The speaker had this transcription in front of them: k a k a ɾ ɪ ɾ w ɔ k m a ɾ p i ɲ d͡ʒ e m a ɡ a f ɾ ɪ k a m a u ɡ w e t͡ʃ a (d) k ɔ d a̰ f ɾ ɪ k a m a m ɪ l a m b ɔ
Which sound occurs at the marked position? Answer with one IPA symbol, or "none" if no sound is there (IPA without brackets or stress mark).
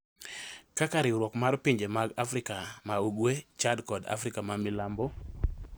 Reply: d